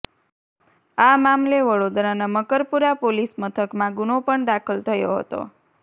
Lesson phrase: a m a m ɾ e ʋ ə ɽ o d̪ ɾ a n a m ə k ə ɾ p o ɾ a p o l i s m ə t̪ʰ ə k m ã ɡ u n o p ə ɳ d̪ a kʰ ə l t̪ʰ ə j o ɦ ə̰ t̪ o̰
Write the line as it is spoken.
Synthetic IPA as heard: a m a m l e ʋ ə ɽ o d̪ ɾ a n a m ə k ə ɾ p u ɾ a p o l i s m ə t̪ʰ ə k m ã ɡ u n o p ə ɳ d̪ a kʰ ə l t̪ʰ ə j o ɦ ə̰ t̪ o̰